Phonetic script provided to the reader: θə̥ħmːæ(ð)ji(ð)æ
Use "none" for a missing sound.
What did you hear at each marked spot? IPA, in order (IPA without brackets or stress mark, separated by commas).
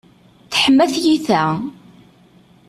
θ, θ